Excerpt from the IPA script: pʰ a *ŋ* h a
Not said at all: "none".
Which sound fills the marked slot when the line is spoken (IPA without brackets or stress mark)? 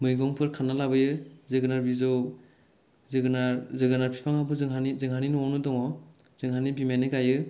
ŋ